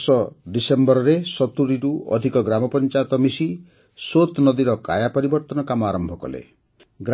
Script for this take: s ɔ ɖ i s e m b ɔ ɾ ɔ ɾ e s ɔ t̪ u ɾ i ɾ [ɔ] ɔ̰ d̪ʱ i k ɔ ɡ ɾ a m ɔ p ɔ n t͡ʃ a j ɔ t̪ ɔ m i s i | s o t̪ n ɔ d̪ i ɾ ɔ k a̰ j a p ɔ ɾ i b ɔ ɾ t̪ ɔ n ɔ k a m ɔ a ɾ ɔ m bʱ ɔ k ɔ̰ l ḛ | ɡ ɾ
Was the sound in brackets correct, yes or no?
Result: no